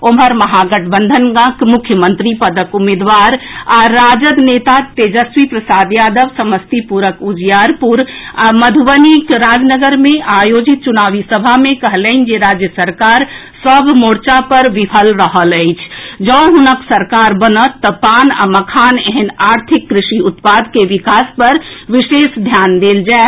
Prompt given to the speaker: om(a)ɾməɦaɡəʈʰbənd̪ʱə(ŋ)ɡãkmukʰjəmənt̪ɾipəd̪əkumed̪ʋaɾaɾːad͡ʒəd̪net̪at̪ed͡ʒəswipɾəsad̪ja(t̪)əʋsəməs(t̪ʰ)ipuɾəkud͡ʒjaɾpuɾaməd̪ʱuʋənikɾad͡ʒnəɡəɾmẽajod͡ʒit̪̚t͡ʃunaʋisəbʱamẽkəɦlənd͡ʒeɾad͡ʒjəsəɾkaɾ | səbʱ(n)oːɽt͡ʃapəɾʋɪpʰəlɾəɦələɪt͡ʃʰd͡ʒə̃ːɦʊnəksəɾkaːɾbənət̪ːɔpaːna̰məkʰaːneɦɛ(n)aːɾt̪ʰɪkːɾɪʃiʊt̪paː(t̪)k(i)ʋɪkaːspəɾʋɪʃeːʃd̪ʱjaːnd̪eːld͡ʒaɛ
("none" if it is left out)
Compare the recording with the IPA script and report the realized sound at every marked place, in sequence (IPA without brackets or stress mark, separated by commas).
ə, n, d̪, t̪, m, n, d̪, e